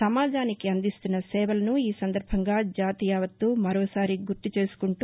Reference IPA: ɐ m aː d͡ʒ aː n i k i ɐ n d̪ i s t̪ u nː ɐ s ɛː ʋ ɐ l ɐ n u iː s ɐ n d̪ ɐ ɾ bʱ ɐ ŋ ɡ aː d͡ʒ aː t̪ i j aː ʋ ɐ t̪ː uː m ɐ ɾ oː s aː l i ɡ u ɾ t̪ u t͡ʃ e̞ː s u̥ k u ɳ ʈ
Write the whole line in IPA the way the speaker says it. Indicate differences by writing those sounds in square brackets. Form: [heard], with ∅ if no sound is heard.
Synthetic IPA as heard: ɐ m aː d͡ʒ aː n i k i ɐ n d̪ i s t̪ u nː ɐ s ɛː ʋ ɐ l ɐ n u iː s ɐ n d̪ ɐ ɾ bʱ ɐ ŋ ɡ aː d͡ʒ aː t̪ i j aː ʋ ɐ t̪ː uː m ɐ ɾ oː s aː [ɾ] i ɡ u ɾ t̪ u t͡ʃ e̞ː s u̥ k u ɳ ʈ